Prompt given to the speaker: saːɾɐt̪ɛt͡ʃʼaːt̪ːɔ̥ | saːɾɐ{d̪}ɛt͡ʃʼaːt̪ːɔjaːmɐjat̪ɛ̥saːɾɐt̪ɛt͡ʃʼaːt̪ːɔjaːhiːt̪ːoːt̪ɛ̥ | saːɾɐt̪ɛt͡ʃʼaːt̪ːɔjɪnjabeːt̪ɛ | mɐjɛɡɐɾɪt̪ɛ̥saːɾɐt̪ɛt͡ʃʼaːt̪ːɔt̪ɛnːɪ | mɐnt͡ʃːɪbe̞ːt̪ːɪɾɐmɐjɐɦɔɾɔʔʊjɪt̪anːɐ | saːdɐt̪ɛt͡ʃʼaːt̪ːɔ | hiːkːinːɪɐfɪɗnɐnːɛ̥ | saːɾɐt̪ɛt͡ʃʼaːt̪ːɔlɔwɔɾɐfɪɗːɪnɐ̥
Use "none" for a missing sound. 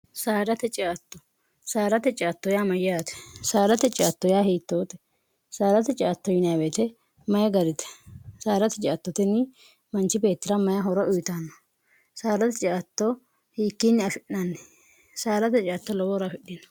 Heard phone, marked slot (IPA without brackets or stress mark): t̪